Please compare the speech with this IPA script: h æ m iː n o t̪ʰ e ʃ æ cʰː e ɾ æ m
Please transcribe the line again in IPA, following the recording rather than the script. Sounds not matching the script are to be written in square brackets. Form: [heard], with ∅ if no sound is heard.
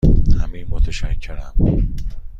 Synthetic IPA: h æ m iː [m] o t̪ʰ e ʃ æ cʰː e ɾ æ m